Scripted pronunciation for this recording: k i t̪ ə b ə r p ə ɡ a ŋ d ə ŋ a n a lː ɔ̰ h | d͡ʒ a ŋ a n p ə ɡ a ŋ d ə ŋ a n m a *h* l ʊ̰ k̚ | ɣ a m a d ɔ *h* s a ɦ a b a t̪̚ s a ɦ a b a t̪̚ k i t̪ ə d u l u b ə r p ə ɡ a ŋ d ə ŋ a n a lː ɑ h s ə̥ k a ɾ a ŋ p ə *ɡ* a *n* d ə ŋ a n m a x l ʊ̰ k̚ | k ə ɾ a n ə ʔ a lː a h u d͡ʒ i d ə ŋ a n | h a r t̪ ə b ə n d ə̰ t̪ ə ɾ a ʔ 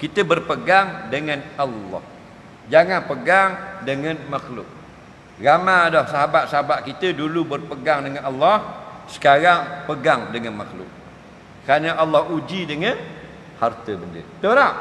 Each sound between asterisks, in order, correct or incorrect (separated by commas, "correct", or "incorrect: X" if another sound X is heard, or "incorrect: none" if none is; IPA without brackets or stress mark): incorrect: x, correct, correct, incorrect: ŋ